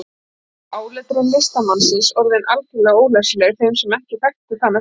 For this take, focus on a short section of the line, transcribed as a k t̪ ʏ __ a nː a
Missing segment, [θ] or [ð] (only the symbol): θ